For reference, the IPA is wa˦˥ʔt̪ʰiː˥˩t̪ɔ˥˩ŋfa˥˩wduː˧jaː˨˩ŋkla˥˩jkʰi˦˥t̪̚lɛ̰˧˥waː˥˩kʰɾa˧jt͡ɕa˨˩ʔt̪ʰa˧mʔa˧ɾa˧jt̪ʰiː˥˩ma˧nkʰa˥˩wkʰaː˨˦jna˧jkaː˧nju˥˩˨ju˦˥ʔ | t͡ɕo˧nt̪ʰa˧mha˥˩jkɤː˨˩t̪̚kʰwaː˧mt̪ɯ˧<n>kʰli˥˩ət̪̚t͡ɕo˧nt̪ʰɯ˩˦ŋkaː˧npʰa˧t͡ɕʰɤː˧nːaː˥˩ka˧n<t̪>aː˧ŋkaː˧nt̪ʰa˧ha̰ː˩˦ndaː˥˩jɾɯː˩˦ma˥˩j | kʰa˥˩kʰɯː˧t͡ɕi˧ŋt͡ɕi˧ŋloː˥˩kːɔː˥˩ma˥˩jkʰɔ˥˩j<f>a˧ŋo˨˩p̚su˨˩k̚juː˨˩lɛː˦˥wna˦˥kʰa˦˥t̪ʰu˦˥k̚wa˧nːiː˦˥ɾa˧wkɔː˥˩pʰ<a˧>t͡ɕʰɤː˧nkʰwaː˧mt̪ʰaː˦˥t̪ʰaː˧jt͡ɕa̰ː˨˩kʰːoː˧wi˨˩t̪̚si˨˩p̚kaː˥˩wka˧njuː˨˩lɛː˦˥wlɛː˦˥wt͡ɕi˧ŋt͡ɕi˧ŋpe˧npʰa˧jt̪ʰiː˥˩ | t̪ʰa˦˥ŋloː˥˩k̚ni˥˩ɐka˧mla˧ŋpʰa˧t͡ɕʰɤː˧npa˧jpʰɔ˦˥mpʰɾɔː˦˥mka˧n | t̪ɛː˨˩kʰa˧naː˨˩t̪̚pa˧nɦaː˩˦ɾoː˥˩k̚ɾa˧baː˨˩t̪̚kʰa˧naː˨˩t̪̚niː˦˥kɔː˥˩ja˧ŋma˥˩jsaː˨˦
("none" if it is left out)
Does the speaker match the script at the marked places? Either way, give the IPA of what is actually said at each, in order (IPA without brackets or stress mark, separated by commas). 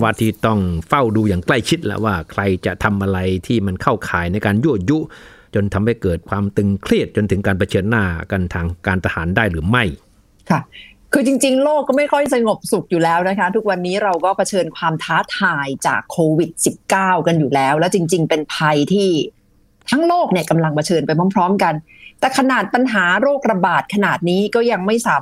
ŋ, t̪ʰ, s, a˧